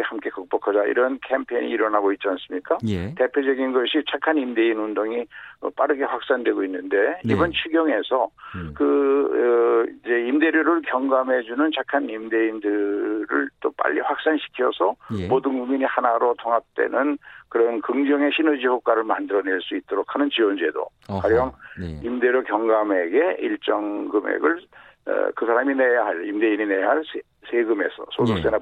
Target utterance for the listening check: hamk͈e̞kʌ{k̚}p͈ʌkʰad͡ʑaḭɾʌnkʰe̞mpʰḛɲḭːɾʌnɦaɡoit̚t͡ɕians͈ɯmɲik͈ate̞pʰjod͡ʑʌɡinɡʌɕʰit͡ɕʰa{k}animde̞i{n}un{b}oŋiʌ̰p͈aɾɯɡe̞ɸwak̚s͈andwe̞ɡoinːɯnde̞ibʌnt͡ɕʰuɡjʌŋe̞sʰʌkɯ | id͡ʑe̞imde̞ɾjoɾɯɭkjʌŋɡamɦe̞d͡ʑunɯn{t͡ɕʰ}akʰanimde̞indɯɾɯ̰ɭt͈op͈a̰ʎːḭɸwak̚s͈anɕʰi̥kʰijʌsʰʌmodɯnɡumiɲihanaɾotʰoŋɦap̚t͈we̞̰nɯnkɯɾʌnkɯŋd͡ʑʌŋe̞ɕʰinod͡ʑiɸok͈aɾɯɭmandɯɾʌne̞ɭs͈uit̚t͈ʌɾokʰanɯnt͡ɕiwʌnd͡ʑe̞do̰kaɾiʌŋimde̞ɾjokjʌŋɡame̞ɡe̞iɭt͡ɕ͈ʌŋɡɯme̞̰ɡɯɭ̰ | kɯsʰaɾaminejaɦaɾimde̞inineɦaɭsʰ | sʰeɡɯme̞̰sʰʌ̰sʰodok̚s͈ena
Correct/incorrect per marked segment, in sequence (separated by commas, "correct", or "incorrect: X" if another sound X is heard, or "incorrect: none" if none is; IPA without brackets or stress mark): correct, incorrect: kʰ, correct, incorrect: d, correct